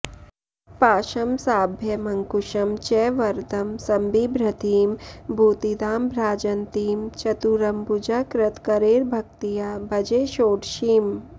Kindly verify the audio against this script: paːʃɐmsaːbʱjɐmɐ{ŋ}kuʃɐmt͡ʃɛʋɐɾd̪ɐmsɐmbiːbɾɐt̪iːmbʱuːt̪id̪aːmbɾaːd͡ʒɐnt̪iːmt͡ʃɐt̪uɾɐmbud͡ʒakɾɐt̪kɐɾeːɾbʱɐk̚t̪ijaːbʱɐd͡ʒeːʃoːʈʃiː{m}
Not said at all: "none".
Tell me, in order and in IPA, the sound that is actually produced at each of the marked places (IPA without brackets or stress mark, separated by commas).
ŋ, m